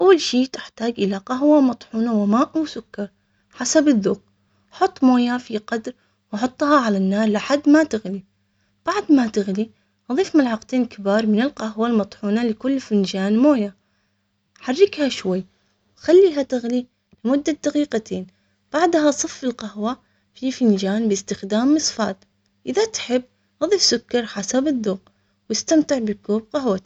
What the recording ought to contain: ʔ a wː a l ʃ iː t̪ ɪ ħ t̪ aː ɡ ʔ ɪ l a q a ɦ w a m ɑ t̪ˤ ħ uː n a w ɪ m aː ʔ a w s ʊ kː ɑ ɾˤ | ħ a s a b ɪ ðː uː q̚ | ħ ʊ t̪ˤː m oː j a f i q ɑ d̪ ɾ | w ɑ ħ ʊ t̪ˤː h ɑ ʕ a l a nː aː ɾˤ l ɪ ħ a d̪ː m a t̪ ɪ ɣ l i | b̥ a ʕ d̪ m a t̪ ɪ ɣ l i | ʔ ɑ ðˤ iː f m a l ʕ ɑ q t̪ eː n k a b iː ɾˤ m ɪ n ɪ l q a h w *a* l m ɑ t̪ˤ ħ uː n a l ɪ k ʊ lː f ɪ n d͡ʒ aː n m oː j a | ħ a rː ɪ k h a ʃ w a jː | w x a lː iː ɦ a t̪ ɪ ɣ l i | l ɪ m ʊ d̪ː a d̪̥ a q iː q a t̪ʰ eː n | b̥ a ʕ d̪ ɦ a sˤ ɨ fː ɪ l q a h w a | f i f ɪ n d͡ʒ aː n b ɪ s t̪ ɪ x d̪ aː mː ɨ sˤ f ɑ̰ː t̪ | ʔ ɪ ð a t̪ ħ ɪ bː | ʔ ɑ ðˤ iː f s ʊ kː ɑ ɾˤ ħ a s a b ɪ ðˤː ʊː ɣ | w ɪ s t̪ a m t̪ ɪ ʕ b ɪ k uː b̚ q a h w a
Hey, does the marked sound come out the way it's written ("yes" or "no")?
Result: yes